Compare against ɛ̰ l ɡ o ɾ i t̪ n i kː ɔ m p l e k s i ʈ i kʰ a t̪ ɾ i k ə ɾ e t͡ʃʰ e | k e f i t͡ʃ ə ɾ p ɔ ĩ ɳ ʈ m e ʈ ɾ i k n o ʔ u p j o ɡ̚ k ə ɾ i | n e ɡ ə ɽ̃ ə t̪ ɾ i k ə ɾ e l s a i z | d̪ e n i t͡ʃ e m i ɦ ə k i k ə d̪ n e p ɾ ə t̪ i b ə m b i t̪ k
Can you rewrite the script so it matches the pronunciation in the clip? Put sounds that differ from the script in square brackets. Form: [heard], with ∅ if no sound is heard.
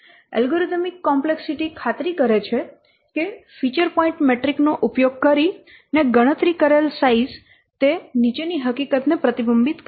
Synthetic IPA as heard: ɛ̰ l ɡ o ɾ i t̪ [m] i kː ɔ m p l e k s i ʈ i kʰ a t̪ ɾ i k ə ɾ e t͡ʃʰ e | k e f i t͡ʃ ə ɾ p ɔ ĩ ɳ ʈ m e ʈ ɾ i k n o ʔ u p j o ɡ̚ k ə ɾ i | n e ɡ ə ɽ̃ ə t̪ ɾ i k ə ɾ e l s a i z | [t̪] e n i t͡ʃ e [n] i ɦ ə k i k ə [t̪] n e p ɾ ə t̪ i b ə m b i t̪ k